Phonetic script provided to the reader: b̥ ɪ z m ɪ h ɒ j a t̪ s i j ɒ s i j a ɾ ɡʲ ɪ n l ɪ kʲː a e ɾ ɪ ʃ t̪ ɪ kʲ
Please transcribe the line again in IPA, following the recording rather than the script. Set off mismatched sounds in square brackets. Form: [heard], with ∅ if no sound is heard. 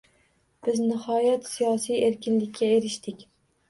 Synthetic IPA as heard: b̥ ɪ z [n] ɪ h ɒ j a t̪ s i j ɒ s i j [e] ɾ [kʲ] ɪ n l ɪ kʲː a e ɾ ɪ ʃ t̪ ɪ kʲ